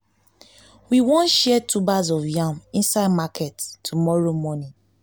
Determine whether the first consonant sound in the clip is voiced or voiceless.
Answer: voiced